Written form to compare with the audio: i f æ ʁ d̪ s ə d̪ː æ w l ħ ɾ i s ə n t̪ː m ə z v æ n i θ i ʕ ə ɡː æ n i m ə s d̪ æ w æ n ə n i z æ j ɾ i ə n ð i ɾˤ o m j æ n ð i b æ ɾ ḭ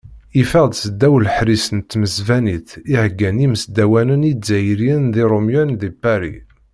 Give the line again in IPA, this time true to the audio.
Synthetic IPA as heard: i f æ ʁ d̪ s ə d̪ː æ w l ħ ɾ i s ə n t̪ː m ə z v æ n i θ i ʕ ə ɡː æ n i m ə s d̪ æ w æ n ə n i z æ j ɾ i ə n ð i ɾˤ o m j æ n ð i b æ ɾ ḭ